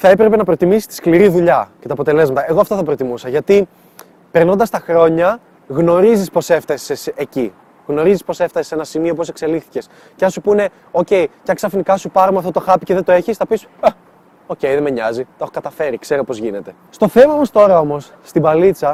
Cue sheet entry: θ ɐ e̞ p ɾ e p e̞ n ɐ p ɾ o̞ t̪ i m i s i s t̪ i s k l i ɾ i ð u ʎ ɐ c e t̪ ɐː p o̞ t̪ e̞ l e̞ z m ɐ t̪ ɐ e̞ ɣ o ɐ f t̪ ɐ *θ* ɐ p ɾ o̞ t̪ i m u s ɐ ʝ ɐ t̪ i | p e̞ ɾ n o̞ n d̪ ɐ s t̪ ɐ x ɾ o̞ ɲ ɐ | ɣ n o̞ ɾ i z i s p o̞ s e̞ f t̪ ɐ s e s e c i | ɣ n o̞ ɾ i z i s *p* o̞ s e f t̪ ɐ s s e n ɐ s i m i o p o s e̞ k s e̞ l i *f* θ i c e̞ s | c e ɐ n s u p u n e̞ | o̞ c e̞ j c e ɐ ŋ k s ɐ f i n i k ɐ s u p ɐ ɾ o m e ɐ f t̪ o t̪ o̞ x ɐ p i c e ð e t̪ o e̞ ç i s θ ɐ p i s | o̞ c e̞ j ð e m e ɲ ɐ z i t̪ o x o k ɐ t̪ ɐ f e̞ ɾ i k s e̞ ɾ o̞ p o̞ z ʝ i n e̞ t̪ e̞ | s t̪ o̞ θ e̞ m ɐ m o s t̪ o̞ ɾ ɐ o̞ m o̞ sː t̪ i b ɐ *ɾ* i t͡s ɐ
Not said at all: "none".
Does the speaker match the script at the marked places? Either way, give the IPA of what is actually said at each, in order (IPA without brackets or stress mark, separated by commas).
θ, p, x, l